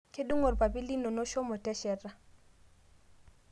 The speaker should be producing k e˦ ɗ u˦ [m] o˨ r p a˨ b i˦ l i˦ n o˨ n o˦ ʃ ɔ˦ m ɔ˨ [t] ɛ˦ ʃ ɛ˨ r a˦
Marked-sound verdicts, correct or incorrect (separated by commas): incorrect, correct